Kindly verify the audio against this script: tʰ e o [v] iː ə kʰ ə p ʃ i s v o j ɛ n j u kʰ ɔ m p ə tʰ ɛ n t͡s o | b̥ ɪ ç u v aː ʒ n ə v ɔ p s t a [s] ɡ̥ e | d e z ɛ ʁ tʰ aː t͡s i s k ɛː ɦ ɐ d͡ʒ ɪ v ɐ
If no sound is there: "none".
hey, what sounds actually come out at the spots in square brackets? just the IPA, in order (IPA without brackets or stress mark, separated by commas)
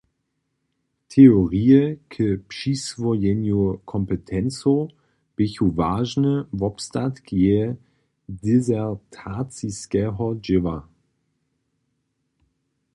ʁ, t